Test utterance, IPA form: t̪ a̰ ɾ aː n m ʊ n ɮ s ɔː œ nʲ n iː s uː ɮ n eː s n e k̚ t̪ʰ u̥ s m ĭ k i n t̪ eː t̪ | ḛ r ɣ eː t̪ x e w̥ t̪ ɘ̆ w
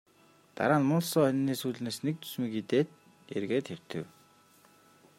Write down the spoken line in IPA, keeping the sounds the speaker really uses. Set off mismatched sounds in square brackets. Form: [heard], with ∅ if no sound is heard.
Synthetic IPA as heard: t̪ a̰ ɾ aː n m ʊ n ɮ s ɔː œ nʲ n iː s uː ɮ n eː s n e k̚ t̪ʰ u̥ s m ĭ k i [∅] t̪ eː t̪ | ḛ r ɣ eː t̪ x e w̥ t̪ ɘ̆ w